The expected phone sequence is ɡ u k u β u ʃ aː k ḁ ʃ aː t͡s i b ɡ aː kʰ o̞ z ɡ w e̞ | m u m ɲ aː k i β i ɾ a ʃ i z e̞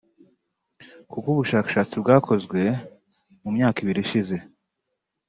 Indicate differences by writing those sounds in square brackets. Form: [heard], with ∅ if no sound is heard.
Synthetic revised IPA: [k] u k u β u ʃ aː k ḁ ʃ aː t͡s i b ɡ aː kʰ o̞ z ɡ w e̞ | m u m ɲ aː k i β i ɾ [i] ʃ i z e̞